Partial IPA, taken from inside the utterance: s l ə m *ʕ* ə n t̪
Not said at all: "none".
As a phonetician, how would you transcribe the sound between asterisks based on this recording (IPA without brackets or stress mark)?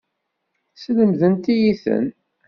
ð